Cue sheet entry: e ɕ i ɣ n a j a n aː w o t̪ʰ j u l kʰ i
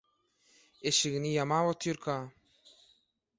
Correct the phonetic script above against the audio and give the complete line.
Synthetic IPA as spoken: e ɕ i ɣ n i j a m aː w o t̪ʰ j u ɾ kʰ a